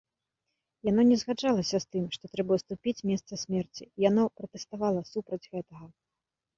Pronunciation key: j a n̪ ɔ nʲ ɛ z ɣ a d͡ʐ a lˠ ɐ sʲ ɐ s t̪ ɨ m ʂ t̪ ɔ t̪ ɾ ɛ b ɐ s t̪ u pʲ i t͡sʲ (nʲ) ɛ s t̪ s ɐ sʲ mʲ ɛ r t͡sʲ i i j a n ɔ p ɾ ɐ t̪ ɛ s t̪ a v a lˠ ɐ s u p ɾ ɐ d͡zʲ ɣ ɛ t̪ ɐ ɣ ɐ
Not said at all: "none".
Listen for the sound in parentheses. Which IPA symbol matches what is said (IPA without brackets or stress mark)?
mʲ